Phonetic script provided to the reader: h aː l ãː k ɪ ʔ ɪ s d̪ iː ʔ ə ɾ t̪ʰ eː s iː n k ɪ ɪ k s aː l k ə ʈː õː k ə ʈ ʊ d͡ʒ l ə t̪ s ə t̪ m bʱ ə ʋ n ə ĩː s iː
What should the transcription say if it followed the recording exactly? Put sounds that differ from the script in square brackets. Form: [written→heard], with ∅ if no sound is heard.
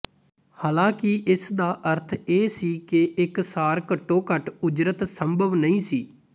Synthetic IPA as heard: h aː l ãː k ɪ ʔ ɪ s d̪ [iː→aː] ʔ ə ɾ t̪ʰ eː s iː [n→∅] k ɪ ɪ k s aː [l→ɾ] k ə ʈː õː k ə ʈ ʊ d͡ʒ [l→ɾ] ə t̪ s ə [t̪→∅] m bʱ ə ʋ n ə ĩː s iː